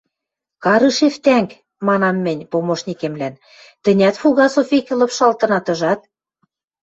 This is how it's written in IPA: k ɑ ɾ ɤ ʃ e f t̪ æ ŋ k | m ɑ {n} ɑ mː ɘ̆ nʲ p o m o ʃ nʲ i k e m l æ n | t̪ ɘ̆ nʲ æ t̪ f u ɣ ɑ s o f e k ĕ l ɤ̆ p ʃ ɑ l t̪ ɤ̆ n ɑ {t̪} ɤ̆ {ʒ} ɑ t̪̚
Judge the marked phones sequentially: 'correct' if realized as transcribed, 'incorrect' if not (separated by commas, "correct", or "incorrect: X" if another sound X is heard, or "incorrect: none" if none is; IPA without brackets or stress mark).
correct, correct, correct